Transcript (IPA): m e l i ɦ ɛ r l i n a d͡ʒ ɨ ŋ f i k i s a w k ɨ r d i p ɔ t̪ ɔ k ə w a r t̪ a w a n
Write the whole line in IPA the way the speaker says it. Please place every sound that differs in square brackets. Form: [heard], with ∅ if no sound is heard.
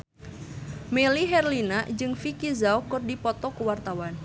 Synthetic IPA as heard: m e l i ɦ ɛ r l i n a d͡ʒ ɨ ŋ f i k i [z] a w k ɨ r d i p ɔ t̪ ɔ k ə w a r t̪ a w a n

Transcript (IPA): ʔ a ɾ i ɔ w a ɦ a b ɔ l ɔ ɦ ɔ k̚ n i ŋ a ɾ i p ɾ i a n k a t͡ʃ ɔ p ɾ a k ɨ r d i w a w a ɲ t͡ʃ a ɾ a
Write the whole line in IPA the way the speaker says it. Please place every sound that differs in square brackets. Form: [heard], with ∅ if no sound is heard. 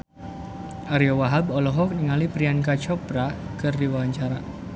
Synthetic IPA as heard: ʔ a ɾ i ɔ w a ɦ a b ɔ l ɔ ɦ ɔ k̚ n i ŋ a [l] i p ɾ i a n k a t͡ʃ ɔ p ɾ a k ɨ r d i w a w a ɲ t͡ʃ a ɾ a

